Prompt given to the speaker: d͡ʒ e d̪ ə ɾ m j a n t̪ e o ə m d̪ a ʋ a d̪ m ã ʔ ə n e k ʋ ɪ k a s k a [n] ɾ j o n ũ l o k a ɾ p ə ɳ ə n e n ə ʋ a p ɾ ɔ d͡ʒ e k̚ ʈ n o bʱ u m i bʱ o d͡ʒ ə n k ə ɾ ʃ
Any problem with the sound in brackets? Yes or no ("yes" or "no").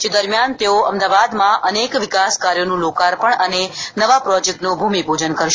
yes